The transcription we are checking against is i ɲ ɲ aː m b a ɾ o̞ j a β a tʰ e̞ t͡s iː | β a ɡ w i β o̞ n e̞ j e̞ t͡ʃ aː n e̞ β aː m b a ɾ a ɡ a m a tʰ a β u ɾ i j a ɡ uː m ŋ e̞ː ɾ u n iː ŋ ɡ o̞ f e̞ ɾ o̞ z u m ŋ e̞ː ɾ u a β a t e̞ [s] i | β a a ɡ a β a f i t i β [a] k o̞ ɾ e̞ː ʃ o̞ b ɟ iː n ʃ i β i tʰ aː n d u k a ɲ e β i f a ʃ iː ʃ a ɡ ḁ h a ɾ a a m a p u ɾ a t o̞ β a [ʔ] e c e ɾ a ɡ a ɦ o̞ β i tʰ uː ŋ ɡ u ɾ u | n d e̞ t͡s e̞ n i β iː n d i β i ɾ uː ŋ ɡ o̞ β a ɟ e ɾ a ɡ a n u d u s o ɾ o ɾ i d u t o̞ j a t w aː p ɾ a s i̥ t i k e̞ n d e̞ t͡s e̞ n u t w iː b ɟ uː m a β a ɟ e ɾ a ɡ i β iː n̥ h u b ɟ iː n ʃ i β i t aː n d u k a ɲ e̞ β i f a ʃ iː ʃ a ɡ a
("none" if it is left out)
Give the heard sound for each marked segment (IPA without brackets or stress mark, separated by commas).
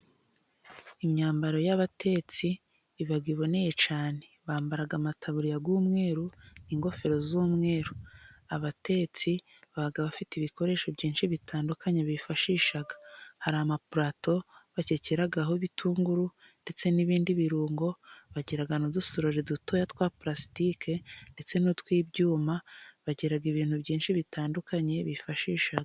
t͡s, i, c